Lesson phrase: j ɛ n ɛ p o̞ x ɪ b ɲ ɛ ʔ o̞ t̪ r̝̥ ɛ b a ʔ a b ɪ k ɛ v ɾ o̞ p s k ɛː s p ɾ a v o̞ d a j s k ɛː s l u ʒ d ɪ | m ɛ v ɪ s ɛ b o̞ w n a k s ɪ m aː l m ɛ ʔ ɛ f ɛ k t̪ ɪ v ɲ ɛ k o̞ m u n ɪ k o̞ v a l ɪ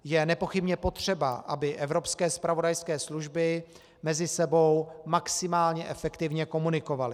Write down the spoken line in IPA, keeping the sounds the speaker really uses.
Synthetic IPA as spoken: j ɛ n ɛ p o̞ x ɪ b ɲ ɛ p o̞ t̪ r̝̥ ɛ b a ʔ a b ɪ ʔ ɛ v ɾ o̞ p s k ɛː s p ɾ a v o̞ d a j s k ɛː s l u ʒ b ɪ | m ɛ z ɪ s ɛ b o̞ w m a k s ɪ m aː l ɲ ɛ ʔ ɛ f ɛ k t̪ ɪ v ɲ ɛ k o̞ m u n ɪ k o̞ v a l ɪ